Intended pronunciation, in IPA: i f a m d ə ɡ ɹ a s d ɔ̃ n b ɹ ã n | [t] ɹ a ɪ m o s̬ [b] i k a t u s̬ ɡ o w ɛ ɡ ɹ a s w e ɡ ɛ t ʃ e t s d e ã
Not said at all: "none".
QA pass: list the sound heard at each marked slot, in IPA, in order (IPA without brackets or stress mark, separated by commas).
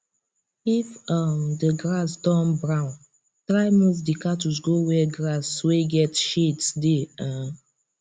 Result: t, d